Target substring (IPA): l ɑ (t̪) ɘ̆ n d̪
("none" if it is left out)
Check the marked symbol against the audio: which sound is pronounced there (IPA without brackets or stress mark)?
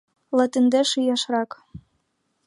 t̪